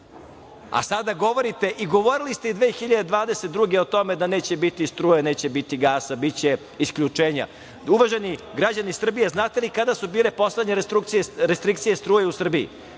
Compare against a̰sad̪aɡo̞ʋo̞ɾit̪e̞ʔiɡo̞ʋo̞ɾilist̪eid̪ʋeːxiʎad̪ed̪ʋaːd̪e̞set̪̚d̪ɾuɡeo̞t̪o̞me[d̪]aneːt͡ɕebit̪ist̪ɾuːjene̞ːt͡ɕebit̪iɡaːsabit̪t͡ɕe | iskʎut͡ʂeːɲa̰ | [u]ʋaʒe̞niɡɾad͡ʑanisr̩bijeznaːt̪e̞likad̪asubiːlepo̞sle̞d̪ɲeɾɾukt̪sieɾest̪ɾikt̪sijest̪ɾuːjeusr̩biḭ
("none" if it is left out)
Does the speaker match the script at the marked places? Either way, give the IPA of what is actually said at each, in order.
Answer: d̪, u

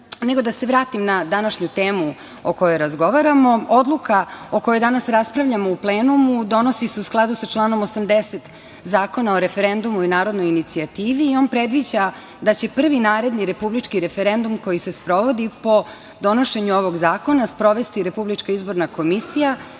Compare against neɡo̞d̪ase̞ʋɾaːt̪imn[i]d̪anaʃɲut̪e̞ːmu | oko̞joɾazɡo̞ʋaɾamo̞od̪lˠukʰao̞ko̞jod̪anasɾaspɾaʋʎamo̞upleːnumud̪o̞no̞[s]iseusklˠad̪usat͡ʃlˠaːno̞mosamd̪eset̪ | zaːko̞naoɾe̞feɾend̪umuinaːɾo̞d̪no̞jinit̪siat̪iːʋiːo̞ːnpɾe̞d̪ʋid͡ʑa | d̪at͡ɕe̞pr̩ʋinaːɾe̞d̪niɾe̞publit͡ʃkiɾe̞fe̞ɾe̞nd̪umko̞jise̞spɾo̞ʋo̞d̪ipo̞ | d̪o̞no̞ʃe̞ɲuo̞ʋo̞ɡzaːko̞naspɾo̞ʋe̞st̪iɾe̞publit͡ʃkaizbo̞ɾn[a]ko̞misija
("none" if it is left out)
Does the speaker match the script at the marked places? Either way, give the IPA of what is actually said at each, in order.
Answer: a, s, a

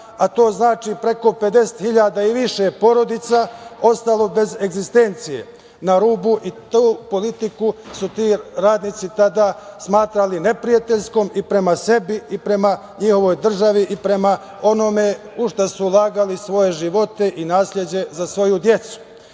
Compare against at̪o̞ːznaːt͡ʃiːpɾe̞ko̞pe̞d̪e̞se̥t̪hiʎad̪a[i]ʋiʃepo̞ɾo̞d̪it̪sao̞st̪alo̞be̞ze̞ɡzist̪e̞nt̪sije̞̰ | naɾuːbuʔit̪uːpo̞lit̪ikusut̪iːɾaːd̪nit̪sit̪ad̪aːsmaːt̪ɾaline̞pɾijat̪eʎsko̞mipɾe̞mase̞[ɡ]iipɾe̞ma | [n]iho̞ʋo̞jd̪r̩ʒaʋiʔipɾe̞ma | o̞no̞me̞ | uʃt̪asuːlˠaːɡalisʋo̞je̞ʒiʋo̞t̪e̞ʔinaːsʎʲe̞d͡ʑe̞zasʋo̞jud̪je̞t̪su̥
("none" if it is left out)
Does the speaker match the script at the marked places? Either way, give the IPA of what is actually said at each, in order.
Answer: i, b, ɲ

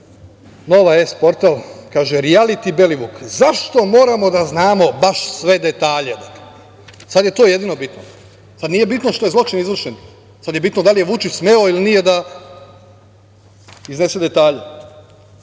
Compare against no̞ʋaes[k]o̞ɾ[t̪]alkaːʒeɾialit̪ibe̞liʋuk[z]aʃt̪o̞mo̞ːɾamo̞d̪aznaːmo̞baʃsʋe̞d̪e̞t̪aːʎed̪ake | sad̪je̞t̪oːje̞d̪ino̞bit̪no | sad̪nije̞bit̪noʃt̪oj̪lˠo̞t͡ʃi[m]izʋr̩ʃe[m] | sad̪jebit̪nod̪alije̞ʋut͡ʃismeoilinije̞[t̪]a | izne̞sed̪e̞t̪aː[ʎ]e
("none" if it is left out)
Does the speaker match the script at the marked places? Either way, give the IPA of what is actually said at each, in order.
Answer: p, t̪, z, n, n, d̪, ʎ

